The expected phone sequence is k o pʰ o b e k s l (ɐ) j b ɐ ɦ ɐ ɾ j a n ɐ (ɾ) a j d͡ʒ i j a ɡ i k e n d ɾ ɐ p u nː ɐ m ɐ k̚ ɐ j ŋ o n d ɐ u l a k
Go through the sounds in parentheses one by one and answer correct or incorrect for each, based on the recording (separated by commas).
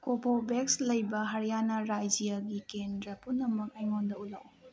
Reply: correct, correct